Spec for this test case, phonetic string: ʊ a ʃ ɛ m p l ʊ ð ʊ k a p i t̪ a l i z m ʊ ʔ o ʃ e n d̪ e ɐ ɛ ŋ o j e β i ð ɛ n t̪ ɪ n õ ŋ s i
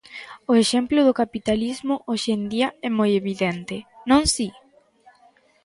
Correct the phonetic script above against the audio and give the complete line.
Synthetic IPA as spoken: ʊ e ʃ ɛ m p l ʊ ð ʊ k a p i t̪ a l i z m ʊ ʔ o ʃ e n d̪ i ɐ ɛ m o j e β i ð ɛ n t̪ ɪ n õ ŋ s i